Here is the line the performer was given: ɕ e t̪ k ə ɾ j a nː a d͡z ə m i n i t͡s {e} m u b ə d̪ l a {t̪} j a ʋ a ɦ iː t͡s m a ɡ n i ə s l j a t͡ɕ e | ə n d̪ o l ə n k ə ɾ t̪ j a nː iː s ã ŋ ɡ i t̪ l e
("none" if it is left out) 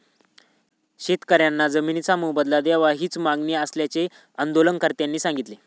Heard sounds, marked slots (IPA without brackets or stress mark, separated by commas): a, d̪